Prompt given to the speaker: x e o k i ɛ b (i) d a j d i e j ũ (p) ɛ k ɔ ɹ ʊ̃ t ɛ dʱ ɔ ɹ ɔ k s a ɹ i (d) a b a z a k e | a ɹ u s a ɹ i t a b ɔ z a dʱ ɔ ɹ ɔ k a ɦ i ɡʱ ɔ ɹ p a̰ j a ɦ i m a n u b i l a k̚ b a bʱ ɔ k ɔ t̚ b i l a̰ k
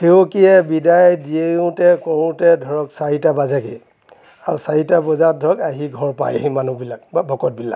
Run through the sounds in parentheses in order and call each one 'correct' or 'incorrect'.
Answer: correct, incorrect: t, incorrect: t

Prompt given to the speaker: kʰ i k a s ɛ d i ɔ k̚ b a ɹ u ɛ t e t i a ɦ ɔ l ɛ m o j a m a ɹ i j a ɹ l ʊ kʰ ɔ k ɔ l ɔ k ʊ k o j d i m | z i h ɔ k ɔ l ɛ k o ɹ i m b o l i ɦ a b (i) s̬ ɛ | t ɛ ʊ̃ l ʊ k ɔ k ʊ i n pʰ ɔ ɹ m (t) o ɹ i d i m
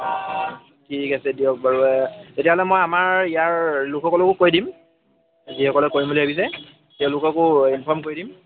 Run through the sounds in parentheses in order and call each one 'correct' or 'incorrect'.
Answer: correct, incorrect: k

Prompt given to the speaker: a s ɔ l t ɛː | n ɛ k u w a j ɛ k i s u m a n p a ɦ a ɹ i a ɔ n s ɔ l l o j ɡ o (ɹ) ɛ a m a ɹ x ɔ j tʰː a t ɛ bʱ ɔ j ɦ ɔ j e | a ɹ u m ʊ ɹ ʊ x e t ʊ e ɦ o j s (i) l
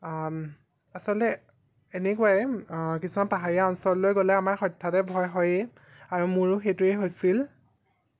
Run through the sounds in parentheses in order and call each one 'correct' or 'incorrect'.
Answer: incorrect: l, correct

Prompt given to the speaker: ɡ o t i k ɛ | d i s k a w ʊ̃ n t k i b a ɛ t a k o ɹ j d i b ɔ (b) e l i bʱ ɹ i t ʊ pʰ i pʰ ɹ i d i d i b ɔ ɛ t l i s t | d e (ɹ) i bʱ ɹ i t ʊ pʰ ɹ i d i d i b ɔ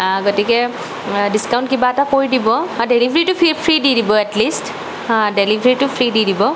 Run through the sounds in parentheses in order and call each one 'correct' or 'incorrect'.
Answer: incorrect: d, incorrect: l

